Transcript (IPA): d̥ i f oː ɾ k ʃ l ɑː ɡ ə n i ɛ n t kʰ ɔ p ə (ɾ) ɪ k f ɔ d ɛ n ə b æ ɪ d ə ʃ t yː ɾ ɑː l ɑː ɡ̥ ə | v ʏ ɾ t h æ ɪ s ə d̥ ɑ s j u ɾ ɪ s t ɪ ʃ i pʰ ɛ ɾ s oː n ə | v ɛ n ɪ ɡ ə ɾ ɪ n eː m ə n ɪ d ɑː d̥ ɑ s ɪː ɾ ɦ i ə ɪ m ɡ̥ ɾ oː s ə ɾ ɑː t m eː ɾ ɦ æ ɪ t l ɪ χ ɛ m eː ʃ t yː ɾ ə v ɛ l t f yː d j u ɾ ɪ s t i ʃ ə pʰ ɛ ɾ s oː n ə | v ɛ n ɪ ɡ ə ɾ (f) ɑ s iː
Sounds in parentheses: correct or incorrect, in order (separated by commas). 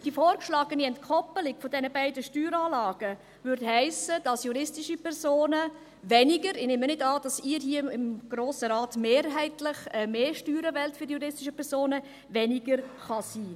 incorrect, incorrect